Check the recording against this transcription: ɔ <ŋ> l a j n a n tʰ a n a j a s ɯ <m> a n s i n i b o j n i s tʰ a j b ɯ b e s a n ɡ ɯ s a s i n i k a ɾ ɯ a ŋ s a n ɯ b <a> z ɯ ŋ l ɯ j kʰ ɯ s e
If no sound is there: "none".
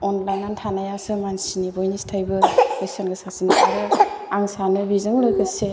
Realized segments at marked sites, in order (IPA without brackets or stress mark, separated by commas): n, m, i